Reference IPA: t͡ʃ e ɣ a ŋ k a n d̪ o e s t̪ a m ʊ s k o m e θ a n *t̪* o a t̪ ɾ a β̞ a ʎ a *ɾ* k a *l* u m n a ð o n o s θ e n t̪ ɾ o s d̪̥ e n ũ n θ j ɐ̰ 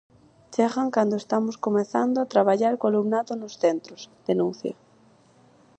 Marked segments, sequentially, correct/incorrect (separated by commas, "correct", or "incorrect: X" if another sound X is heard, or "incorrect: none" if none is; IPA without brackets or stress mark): incorrect: d̪, correct, correct